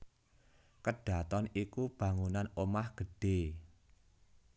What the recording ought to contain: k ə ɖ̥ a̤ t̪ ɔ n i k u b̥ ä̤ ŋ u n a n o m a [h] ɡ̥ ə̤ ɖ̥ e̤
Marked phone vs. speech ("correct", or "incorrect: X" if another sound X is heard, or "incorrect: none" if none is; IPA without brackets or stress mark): correct